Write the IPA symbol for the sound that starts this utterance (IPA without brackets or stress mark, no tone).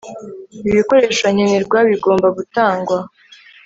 i